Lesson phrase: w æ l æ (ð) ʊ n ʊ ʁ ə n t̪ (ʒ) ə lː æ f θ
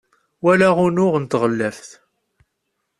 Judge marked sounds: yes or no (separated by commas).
no, no